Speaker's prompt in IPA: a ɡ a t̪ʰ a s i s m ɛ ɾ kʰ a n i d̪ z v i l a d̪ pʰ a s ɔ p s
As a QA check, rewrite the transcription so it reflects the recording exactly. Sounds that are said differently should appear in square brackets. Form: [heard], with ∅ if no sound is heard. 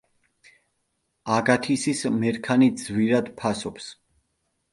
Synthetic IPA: a ɡ a t̪ʰ [i] s i s m ɛ ɾ kʰ a n i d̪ z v i [ɾ] a d̪ pʰ a s ɔ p s